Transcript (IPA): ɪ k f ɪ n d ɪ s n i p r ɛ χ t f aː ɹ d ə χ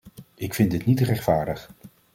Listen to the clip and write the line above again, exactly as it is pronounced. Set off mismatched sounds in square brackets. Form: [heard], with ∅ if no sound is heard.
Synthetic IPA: ɪ k f ɪ n d ɪ [t] n i [t] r ɛ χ t f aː ɹ d ə χ